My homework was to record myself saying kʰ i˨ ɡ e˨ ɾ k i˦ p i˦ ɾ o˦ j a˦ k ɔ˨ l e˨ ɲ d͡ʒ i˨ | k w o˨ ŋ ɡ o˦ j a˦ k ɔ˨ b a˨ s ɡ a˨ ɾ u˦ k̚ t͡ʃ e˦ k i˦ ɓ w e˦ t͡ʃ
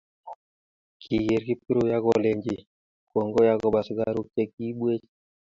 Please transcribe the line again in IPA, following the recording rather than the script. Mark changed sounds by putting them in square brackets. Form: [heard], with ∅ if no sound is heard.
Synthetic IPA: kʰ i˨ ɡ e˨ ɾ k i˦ p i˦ ɾ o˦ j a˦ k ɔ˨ l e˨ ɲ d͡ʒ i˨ | k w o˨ ŋ ɡ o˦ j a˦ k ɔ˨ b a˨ s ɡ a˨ ɾ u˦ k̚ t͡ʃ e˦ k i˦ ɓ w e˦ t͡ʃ

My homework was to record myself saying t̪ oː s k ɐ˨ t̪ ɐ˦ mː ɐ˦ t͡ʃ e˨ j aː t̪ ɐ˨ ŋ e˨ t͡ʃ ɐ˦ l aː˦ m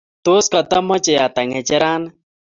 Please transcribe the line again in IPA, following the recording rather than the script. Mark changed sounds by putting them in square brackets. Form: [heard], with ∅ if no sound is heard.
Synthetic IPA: t̪ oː s k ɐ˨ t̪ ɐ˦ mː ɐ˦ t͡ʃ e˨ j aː t̪ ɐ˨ ŋ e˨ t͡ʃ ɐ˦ [ɾ] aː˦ [n]

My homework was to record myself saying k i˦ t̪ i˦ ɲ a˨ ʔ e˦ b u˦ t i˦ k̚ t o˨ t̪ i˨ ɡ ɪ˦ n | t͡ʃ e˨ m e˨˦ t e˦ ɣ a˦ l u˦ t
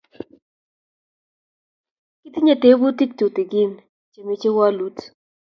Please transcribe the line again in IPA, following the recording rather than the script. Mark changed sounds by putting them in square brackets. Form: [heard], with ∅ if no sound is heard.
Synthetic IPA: k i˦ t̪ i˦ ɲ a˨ [t] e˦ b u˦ t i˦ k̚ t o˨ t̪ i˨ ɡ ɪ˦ n | t͡ʃ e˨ m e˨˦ [t͡ʃ] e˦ [w] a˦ l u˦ t

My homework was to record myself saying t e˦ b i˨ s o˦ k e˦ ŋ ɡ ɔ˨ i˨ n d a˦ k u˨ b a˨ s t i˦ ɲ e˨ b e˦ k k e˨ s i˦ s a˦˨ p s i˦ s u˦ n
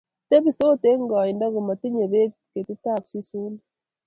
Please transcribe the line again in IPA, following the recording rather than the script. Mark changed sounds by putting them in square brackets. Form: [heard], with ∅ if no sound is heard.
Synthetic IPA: t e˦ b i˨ s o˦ [t] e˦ ŋ ɡ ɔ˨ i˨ n d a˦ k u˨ [m] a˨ [∅] t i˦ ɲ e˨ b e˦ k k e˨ [t] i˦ [t] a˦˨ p s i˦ s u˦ n

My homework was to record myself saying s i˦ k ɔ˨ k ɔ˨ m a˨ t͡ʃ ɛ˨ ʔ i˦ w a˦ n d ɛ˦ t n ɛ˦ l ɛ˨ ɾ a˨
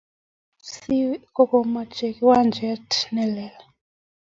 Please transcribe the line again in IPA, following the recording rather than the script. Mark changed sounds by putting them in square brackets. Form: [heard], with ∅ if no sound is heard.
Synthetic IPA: s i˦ k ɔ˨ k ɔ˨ m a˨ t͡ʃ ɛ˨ [k] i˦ w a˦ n [d͡ʒ] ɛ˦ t n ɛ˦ l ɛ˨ [l] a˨

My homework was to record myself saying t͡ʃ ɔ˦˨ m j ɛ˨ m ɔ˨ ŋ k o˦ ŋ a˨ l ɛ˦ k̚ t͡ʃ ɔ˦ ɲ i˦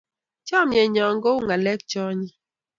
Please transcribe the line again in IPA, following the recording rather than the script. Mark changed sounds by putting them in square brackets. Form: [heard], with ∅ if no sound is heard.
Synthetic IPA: t͡ʃ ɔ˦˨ m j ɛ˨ [ɲ] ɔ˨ ŋ [ɡ] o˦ ŋ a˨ l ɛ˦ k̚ t͡ʃ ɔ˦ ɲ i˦

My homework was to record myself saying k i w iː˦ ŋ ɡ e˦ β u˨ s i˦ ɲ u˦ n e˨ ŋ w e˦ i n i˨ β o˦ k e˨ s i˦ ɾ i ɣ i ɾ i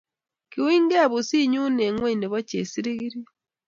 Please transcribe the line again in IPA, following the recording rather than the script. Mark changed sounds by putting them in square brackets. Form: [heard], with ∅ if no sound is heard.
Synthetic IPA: k i w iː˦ ŋ ɡ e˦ β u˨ s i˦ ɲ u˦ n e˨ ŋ w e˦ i n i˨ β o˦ [c] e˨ s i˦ ɾ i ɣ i ɾ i

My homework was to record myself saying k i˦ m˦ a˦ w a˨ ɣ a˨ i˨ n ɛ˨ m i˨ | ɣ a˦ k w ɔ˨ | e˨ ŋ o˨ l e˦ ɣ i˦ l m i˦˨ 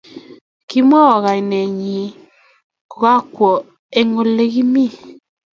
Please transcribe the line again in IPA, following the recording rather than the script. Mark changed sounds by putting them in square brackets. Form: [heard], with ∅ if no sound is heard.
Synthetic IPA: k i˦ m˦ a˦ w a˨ ɣ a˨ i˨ n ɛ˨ [ɲ] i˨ | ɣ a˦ k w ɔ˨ | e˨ ŋ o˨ l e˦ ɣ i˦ [∅] m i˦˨

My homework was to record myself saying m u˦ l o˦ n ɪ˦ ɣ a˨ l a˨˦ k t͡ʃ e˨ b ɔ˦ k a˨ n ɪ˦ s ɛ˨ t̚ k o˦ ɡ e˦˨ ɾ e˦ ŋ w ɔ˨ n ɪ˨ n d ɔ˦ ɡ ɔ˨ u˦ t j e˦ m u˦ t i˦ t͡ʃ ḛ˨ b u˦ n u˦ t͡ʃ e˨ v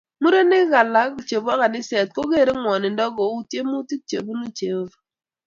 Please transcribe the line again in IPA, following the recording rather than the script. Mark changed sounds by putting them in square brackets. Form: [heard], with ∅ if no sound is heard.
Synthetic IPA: m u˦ [ɾ] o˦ n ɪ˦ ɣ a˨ l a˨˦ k t͡ʃ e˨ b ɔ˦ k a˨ n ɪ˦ s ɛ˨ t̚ k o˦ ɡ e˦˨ ɾ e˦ ŋ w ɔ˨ n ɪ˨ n d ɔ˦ ɡ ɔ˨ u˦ t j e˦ m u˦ t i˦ t͡ʃ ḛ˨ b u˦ n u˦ t͡ʃ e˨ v

